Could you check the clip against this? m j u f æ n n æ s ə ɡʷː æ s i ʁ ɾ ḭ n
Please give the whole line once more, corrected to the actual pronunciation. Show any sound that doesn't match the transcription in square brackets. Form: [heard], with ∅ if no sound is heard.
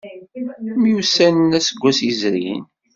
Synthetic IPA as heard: m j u [s] æ n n æ s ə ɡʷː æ s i [z] ɾ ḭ n